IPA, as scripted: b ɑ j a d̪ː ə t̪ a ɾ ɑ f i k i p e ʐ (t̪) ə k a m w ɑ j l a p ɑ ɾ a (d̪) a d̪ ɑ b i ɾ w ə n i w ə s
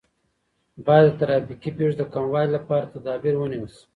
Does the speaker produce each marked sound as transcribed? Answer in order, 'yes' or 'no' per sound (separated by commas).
no, no